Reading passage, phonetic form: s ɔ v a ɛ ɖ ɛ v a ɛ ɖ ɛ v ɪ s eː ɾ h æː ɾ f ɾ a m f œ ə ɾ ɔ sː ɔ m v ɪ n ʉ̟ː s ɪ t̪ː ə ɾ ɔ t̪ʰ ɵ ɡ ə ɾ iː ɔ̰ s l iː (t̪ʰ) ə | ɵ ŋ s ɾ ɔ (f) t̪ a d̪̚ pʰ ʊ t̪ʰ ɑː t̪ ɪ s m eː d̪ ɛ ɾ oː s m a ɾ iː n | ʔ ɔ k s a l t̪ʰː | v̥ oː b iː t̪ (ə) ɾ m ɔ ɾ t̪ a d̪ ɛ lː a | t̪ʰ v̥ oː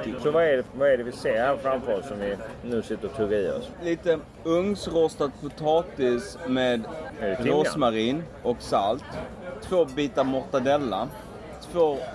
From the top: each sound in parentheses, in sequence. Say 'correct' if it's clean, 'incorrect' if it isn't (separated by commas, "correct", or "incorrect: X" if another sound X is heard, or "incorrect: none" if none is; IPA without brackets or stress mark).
incorrect: t̪, incorrect: s, incorrect: a